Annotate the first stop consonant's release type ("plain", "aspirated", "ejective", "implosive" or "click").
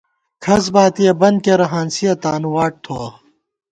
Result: aspirated